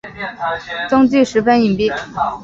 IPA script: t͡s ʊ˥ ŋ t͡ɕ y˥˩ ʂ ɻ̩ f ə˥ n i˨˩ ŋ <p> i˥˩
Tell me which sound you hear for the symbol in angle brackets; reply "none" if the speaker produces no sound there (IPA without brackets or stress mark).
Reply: p